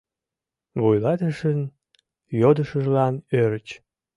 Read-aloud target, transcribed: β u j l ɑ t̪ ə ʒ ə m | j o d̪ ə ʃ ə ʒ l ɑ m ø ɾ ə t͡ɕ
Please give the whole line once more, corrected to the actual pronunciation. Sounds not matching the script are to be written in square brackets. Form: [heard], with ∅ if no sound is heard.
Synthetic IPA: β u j l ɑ t̪ ə [ʃ] ə [n] | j o d̪ ə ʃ ə ʒ l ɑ [n] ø ɾ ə t͡ɕ